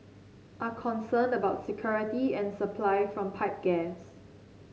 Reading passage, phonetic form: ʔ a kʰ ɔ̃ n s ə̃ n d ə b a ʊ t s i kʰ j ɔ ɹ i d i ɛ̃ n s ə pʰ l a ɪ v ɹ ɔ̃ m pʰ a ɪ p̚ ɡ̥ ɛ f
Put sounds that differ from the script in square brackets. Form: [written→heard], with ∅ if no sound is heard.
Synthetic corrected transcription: ʔ a kʰ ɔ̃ n s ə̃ n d ə b a ʊ t s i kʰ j ɔ ɹ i [d→t] i ɛ̃ n s ə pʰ l a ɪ [v→f] ɹ ɔ̃ m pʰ a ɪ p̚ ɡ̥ ɛ [f→s]